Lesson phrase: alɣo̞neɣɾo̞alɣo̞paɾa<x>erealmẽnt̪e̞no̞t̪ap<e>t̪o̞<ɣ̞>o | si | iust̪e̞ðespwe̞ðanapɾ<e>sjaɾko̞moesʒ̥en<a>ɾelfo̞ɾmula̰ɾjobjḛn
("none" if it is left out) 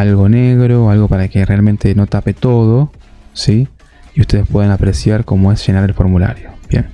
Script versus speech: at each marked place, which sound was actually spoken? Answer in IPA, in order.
k, e, ð̞, e, a

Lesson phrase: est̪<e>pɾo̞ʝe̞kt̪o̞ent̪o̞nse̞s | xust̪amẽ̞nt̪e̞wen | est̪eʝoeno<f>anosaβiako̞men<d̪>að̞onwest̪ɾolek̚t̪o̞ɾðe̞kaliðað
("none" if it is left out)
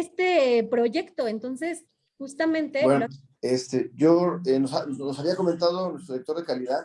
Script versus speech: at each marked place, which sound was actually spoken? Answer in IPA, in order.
e, s, t̪

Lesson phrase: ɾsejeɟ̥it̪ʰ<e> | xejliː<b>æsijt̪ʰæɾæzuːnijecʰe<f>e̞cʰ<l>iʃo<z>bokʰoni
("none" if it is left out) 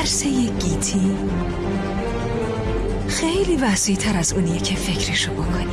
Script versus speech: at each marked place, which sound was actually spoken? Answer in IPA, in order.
i, v, f, ɾ, none

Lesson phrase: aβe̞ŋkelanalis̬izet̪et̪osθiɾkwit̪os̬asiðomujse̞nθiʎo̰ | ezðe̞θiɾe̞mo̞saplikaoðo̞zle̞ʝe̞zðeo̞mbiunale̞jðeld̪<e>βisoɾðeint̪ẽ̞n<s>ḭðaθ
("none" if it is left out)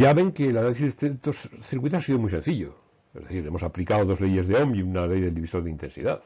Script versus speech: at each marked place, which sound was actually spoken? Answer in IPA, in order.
i, s

